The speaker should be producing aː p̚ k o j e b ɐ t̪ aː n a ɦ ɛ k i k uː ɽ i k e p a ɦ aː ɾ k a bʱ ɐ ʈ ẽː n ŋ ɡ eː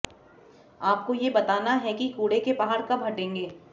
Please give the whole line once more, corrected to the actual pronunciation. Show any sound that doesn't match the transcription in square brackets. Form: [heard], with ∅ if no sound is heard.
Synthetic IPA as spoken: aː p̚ k o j e b ɐ t̪ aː n a ɦ ɛ k i k uː ɽ [e] k e p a ɦ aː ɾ k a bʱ ɐ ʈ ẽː [∅] ŋ ɡ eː

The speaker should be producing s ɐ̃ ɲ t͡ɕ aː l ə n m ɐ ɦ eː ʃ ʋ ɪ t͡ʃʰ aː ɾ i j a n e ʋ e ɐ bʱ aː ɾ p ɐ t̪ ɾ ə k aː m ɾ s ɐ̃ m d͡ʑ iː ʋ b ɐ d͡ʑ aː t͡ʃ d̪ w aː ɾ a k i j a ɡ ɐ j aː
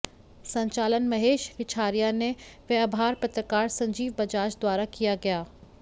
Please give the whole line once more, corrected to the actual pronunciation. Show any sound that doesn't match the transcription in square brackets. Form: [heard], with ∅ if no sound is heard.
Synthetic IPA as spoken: s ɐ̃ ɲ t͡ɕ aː l ə n m ɐ ɦ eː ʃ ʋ ɪ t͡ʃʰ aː ɾ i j a n e ʋ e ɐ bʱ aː ɾ p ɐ t̪ ɾ ə k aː [∅] ɾ s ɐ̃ [ɲ] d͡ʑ iː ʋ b ɐ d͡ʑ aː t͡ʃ d̪ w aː ɾ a k i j a ɡ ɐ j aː

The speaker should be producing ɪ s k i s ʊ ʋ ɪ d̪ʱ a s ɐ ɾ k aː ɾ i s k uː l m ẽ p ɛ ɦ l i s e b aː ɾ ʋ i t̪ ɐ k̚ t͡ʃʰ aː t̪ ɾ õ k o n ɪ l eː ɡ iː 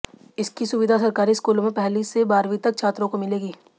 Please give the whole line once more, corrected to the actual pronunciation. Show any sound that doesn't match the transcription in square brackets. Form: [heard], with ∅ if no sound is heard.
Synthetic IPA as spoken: ɪ s k i s ʊ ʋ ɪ d̪ʱ a s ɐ ɾ k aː ɾ i s k uː l m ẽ p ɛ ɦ l i s e b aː ɾ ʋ i t̪ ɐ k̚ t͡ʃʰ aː t̪ ɾ õ k o [m] ɪ l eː ɡ iː

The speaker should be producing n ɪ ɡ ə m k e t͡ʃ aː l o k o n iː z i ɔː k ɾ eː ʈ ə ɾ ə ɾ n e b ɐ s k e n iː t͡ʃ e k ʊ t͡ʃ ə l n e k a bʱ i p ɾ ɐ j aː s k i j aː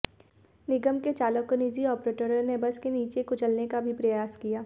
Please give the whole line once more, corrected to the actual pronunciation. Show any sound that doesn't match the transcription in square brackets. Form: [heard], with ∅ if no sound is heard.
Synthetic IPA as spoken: n ɪ ɡ ə m k e t͡ʃ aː l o k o n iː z i ɔː [p] ɾ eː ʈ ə ɾ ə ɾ n e b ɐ s k e n iː t͡ʃ e k ʊ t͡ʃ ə l n e k a bʱ i p ɾ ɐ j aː s k i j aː

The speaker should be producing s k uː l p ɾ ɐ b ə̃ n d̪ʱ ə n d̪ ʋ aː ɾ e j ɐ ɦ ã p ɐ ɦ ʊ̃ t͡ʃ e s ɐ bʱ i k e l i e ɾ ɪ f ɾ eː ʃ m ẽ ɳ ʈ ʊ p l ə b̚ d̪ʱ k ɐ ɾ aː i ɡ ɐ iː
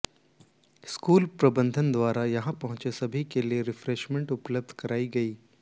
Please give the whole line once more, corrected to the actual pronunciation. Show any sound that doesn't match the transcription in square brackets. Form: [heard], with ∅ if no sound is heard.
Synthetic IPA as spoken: s k uː l p ɾ ɐ b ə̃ n d̪ʱ ə n d̪ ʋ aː ɾ [a] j ɐ ɦ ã p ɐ ɦ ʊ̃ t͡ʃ e s ɐ bʱ i k e l i e ɾ ɪ f ɾ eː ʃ m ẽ ɳ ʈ ʊ p l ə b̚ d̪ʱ k ɐ ɾ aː i ɡ ɐ iː

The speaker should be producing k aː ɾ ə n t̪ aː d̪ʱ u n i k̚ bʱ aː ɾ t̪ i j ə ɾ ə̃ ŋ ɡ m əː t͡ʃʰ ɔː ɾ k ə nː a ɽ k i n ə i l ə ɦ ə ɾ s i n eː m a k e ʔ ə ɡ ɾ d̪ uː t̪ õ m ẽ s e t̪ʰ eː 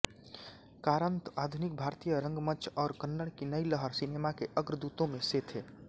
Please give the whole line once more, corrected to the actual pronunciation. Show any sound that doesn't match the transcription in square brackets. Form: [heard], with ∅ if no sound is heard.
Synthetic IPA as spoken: k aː ɾ ə n t̪ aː d̪ʱ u n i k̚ bʱ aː ɾ t̪ i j ə ɾ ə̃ ŋ ɡ m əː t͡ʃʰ ɔː ɾ k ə nː [ə] ɽ k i n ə i l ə ɦ ə ɾ s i n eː m a k e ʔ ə ɡ ɾ d̪ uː t̪ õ m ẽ s e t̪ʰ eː

